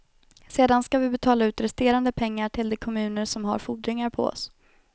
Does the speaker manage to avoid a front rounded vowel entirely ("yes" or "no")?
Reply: yes